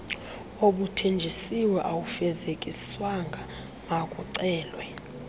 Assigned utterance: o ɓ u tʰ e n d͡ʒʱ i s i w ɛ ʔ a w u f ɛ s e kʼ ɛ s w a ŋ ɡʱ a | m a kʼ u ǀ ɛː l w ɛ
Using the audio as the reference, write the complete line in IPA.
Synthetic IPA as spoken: o ɓ u tʰ e n d͡ʒʱ i s i w ɛ ʔ a w u f ɛ z e kʼ i s w a ŋ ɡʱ a | m a kʼ u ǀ ɛː l w ɛ